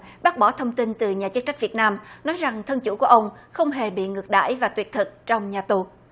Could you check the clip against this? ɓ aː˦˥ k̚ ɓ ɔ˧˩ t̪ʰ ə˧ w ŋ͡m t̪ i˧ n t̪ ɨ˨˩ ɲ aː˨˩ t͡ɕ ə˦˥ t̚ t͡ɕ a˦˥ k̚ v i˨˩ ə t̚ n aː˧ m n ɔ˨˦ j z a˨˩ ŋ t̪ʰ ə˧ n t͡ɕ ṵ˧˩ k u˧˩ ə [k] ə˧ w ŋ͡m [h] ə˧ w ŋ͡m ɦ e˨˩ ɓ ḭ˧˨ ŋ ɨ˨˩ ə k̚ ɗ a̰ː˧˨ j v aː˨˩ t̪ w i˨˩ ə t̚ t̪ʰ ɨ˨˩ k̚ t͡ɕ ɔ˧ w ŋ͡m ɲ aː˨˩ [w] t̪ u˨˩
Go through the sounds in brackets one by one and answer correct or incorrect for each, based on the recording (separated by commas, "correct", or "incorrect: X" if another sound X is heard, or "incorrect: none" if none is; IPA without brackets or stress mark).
incorrect: ʔ, incorrect: x, incorrect: none